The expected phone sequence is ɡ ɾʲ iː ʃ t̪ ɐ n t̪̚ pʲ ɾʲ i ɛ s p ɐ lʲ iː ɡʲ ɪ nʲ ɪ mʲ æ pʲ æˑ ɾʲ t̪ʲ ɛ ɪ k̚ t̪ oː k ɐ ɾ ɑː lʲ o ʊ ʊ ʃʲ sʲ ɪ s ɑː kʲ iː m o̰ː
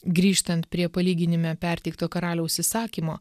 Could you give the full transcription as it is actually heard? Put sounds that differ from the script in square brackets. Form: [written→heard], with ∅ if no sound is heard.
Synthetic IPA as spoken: ɡ ɾʲ iː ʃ t̪ ɐ n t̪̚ pʲ ɾʲ i ɛ [s→∅] p ɐ lʲ iː ɡʲ ɪ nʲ ɪ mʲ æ pʲ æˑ ɾʲ t̪ʲ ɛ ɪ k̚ t̪ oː k ɐ ɾ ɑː lʲ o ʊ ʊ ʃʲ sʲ ɪ s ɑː kʲ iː m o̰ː

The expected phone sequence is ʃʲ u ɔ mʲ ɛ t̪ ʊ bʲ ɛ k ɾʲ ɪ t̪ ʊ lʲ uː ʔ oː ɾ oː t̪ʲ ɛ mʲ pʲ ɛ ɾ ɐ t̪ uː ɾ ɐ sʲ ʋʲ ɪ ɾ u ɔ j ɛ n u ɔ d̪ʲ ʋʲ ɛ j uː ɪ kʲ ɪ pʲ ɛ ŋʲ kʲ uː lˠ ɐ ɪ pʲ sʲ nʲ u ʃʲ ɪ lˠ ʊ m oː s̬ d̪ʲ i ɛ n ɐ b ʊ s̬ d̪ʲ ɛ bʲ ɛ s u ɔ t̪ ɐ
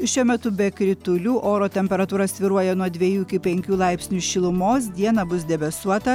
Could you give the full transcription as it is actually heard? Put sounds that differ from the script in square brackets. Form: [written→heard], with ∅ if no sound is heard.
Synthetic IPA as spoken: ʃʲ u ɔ mʲ ɛ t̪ ʊ bʲ ɛ k ɾʲ ɪ t̪ ʊ lʲ uː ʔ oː ɾ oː t̪ʲ ɛ mʲ pʲ ɛ ɾ ɐ t̪ uː ɾ ɐ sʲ ʋʲ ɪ ɾ u ɔ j ɛ n u ɔ d̪ʲ ʋʲ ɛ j uː ɪ kʲ ɪ pʲ ɛ ŋʲ kʲ uː lˠ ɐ ɪ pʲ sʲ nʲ u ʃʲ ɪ lˠ ʊ m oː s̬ d̪ʲ i ɛ n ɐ b ʊ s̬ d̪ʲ ɛ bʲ ɛ s u ɔ t̪ ɐ

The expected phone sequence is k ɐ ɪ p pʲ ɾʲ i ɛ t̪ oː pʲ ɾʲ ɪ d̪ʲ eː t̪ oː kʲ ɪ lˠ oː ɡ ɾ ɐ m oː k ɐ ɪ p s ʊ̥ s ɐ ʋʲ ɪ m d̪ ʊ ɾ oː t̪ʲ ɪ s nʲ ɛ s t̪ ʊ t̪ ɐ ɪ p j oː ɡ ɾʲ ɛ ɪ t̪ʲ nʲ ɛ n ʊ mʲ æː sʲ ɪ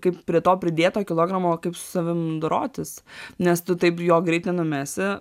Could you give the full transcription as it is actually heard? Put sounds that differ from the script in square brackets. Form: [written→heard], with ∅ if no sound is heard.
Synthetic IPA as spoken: k ɐ ɪ p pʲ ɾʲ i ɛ t̪ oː pʲ ɾʲ ɪ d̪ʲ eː t̪ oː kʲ ɪ lˠ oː ɡ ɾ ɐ m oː k ɐ ɪ p s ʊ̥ s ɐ ʋʲ ɪ m d̪ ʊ ɾ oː t̪ʲ ɪ s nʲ ɛ s t̪ ʊ t̪ ɐ ɪ p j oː ɡ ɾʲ ɛ ɪ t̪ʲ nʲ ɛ n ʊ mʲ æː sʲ ɪ

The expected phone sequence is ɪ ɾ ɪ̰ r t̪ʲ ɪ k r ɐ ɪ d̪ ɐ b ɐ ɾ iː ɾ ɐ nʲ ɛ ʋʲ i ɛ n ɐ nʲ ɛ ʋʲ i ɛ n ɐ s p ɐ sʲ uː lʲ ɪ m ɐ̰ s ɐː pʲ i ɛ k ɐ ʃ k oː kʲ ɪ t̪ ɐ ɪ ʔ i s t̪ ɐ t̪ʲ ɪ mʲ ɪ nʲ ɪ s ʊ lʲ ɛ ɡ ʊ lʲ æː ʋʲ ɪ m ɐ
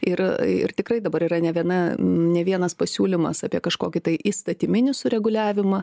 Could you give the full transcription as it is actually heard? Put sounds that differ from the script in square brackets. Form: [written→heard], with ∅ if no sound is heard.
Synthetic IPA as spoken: ɪ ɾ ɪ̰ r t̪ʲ ɪ k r ɐ ɪ d̪ ɐ b ɐ ɾ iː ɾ ɐ nʲ ɛ ʋʲ i ɛ n ɐ nʲ ɛ ʋʲ i ɛ n ɐ s p ɐ sʲ uː lʲ ɪ m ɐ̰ s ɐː pʲ i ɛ k ɐ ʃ k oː kʲ ɪ t̪ ɐ ɪ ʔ i s t̪ ɐ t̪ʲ ɪ mʲ ɪ nʲ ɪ s ʊ [lʲ→ɾʲ] ɛ ɡ ʊ lʲ æː ʋʲ ɪ m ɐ

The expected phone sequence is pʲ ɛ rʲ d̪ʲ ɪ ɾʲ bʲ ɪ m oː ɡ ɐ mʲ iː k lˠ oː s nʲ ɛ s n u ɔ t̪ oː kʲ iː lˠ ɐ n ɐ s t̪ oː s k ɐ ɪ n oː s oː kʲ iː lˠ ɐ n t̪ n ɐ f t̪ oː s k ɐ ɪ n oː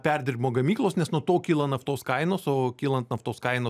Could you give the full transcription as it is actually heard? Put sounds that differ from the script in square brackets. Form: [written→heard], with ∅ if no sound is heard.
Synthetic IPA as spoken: pʲ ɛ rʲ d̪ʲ ɪ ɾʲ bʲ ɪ m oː ɡ ɐ mʲ iː k lˠ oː s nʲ ɛ s n u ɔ t̪ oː kʲ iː lˠ ɐ n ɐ [s→f] t̪ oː s k ɐ ɪ n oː s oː kʲ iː lˠ ɐ n t̪ n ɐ f t̪ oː s k ɐ ɪ n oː

